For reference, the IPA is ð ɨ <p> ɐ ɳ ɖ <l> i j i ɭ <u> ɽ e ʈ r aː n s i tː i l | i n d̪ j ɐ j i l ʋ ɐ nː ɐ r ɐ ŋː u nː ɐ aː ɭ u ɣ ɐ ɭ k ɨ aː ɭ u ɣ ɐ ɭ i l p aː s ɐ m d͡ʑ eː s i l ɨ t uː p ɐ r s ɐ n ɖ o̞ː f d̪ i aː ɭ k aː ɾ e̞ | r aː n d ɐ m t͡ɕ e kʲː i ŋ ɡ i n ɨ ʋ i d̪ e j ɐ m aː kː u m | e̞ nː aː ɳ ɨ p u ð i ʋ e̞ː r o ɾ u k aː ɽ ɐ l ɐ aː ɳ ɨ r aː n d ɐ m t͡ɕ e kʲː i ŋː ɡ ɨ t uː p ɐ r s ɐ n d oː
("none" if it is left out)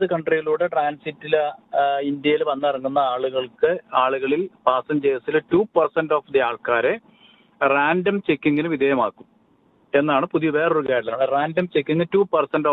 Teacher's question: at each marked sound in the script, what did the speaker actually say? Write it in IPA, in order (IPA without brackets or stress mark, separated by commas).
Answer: k, r, uː